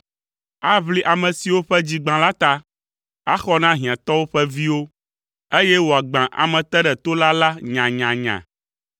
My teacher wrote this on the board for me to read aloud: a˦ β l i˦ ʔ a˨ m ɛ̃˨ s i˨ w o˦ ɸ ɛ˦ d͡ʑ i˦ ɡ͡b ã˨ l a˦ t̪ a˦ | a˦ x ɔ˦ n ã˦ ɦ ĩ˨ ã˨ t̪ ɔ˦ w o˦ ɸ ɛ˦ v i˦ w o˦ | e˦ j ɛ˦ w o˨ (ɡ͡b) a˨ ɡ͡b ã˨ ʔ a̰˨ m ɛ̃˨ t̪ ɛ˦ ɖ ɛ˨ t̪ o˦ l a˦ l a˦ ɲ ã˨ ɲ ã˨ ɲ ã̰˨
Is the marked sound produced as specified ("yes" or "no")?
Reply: no